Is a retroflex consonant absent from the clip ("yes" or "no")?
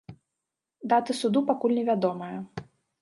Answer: yes